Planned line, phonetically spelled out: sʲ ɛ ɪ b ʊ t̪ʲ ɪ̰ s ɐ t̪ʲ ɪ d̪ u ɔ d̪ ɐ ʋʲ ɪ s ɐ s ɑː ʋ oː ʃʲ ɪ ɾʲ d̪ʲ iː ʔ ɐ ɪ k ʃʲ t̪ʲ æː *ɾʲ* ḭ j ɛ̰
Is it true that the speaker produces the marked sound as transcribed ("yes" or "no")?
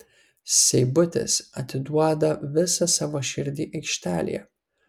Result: no